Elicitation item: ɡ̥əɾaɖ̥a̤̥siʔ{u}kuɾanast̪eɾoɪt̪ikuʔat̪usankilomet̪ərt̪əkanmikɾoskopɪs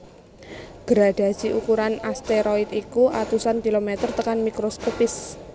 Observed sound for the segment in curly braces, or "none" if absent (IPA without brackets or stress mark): u